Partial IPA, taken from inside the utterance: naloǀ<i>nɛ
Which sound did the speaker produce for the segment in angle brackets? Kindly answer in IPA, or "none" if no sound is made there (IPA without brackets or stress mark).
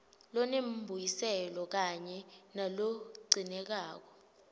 i